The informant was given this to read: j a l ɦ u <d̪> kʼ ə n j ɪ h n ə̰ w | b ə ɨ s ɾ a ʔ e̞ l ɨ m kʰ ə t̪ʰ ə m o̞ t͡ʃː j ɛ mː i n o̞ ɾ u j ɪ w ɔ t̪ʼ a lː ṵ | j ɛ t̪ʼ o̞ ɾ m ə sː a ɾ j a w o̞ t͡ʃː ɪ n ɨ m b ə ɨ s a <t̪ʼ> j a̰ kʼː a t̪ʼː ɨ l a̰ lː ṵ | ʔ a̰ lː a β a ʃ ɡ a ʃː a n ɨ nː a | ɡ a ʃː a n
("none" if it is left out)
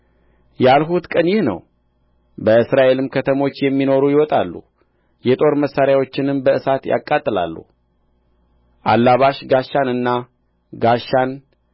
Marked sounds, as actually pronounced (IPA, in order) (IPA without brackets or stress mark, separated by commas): t̪, t̪